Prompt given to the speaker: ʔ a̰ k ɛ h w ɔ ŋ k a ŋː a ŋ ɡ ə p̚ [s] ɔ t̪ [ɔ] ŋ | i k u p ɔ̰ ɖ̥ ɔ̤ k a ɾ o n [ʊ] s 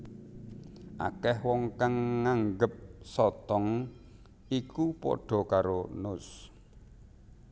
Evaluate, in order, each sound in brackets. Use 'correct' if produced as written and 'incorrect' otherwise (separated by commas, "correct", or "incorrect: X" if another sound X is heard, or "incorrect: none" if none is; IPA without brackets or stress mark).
correct, correct, correct